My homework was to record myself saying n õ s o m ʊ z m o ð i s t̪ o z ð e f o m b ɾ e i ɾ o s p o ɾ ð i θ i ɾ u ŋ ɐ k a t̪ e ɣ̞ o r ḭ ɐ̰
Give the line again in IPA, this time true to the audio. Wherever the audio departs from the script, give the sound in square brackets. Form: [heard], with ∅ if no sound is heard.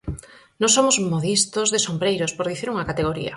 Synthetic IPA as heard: n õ s o m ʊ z m o ð i s t̪ o z ð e [s] o m b ɾ e [j] ɾ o s p o ɾ ð i θ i ɾ u ŋ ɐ k a t̪ e ɣ̞ o [ɾ] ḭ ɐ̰